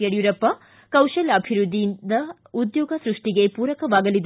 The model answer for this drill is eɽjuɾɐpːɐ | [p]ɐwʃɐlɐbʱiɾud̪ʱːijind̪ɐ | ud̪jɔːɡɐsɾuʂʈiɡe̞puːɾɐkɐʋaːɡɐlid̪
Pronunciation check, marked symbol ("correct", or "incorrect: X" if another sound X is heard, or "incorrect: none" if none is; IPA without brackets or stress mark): incorrect: k